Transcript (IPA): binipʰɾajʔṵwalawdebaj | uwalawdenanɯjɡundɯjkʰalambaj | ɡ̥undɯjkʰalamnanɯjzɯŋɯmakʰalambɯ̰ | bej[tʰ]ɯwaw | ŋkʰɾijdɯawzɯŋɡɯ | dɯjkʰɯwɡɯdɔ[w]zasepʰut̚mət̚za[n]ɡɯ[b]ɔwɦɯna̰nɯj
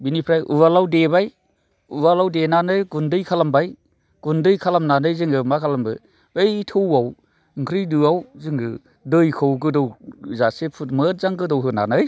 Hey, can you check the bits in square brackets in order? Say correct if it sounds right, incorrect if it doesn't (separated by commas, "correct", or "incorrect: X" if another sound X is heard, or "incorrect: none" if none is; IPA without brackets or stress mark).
correct, correct, incorrect: ŋ, incorrect: d